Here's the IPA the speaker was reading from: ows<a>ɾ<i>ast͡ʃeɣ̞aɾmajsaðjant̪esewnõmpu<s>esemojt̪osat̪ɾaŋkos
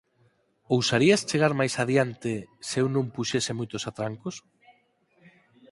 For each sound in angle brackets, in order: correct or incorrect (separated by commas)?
correct, correct, incorrect